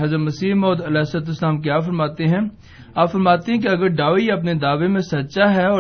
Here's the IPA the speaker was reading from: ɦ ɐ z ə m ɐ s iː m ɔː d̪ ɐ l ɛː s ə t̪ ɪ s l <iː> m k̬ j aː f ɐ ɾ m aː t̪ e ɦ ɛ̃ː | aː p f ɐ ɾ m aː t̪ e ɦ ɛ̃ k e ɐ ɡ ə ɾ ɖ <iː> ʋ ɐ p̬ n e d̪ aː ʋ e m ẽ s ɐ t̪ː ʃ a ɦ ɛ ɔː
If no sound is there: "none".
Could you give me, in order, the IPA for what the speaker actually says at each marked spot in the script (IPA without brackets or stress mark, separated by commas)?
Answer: aː, aː